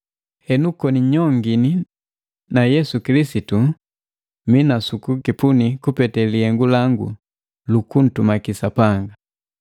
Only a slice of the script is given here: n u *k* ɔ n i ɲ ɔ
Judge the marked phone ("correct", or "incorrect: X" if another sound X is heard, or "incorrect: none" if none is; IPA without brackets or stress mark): correct